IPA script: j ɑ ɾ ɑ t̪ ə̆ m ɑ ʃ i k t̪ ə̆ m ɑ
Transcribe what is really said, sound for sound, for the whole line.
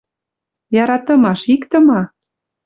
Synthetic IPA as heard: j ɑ ɾ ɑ t̪ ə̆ m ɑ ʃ i k t̪ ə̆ m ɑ

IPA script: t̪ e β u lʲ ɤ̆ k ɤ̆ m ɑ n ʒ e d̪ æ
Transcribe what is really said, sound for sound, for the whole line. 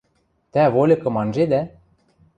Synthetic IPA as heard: t̪ æ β o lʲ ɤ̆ k ɤ̆ m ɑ n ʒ e d̪ æ

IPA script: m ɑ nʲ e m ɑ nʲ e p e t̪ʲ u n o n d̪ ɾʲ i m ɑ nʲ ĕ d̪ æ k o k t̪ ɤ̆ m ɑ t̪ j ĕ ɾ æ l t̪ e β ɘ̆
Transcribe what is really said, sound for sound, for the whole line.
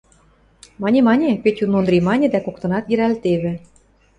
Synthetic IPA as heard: m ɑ nʲ e m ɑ nʲ e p e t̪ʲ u n o n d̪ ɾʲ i m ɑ nʲ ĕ d̪ æ k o k t̪ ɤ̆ n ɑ t̪ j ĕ ɾ æ l t̪ e β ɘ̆

